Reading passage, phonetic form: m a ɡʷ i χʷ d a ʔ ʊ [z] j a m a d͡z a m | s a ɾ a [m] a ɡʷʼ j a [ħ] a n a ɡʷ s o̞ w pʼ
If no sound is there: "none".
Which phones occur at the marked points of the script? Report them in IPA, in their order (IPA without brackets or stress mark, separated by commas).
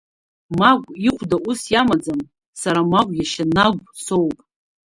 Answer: s, m, ʃ